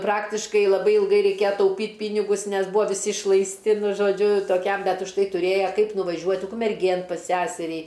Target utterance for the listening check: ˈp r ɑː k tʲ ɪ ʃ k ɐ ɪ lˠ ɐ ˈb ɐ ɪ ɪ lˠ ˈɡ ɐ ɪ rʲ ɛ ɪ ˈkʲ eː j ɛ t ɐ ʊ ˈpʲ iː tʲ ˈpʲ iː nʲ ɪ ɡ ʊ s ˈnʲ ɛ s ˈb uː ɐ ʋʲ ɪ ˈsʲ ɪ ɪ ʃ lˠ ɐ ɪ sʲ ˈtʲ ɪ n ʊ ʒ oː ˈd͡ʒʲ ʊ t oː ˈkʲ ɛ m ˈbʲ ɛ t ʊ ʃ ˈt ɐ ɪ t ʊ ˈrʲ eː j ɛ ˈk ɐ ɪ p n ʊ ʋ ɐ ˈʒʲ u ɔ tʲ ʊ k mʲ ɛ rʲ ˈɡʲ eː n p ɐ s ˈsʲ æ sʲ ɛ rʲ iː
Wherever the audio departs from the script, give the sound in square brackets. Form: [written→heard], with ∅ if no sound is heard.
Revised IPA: ˈp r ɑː k tʲ ɪ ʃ k ɐ ɪ lˠ ɐ ˈb ɐ ɪ ɪ lˠ ˈɡ ɐ ɪ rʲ ɛ ɪ ˈkʲ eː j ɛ t ɐ ʊ ˈpʲ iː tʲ ˈpʲ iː nʲ ɪ ɡ ʊ s ˈnʲ ɛ s ˈb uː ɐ ʋʲ ɪ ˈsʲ ɪ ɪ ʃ lˠ ɐ ɪ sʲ ˈtʲ ɪ n ʊ ʒ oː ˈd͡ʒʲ ʊ t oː ˈkʲ ɛ m ˈbʲ ɛ t ʊ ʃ ˈt ɐ ɪ t ʊ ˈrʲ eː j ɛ ˈk ɐ ɪ p n ʊ ʋ ɐ ˈʒʲ u ɔ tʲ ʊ k mʲ ɛ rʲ ˈɡʲ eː n p ɐ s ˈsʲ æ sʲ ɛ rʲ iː